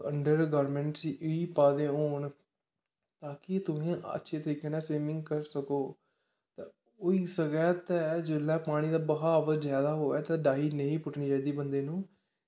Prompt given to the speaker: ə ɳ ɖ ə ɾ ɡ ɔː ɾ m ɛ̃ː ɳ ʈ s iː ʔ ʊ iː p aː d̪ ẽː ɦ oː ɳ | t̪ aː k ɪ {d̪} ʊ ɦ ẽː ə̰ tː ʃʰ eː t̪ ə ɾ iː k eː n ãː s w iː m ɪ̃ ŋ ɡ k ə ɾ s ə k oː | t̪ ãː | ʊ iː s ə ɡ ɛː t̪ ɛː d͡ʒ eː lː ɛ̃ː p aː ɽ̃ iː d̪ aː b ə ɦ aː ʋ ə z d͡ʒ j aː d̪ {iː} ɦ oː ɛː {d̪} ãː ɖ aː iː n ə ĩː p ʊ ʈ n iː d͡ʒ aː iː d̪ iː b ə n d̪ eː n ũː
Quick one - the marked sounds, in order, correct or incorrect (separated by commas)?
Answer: incorrect, incorrect, incorrect